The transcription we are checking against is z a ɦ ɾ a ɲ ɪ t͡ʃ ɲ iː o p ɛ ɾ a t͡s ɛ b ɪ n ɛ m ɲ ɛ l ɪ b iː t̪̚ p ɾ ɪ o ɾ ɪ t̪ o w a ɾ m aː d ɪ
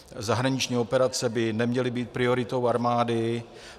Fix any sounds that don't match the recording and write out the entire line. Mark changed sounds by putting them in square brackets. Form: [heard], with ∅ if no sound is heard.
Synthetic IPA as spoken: z a ɦ ɾ a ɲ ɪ t͡ʃ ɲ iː o p ɛ ɾ a t͡s ɛ b ɪ n ɛ m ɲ ɛ l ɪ b iː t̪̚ p ɾ ɪ o ɾ ɪ t̪ o w a ɾ m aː d ɪ